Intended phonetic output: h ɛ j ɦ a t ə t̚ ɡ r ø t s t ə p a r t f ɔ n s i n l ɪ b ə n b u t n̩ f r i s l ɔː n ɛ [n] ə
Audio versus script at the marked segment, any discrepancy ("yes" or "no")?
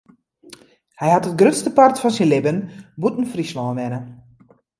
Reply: no